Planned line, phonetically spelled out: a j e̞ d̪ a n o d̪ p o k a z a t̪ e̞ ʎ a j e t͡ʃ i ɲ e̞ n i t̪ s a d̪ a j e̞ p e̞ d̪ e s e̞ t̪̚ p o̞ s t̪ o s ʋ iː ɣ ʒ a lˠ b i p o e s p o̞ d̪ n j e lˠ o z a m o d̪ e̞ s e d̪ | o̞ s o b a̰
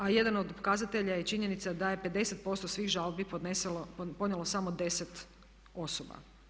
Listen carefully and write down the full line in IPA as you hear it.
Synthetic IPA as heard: a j e̞ d̪ a n o d̪ p o k a z a t̪ e̞ ʎ a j e t͡ʃ i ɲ e̞ n i t̪ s a d̪ a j e̞ p e̞ d̪ e s e̞ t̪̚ p o̞ s t̪ o s ʋ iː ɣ ʒ a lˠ b i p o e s p o̞ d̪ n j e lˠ o s a m o d̪ e̞ s e t̪ | o̞ s o b a̰